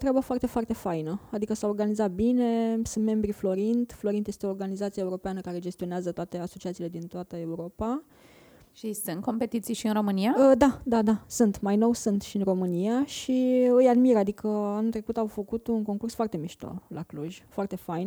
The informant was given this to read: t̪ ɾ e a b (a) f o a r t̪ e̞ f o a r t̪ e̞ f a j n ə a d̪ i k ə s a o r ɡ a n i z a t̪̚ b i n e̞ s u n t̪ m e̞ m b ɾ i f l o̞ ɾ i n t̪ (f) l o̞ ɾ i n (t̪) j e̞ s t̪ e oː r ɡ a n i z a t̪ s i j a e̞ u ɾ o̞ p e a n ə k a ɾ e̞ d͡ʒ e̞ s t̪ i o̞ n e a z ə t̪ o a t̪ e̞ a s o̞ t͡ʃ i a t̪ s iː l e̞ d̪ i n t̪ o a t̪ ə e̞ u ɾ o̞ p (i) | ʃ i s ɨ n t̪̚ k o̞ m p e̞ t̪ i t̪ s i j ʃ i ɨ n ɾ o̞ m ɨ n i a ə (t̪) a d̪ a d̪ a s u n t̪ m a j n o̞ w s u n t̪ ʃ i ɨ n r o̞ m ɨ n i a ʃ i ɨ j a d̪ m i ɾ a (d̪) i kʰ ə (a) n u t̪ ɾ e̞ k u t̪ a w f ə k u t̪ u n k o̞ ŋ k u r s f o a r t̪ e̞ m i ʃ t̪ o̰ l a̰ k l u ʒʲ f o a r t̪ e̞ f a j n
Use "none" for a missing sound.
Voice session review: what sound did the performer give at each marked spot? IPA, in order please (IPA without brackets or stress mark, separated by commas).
ə, f, t̪, a, d̪, d̪, a